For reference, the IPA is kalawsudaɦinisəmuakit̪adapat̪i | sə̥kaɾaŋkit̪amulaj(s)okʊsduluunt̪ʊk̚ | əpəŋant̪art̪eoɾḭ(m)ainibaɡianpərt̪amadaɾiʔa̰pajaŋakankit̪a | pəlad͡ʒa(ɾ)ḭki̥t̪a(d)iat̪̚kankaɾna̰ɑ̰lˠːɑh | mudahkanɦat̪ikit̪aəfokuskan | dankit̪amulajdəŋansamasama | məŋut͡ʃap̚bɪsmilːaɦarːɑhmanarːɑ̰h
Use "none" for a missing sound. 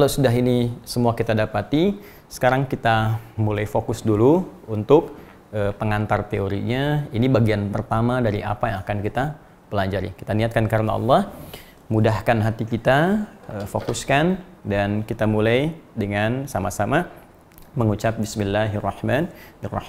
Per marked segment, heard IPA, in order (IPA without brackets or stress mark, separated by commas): f, ɲ, ɾ, n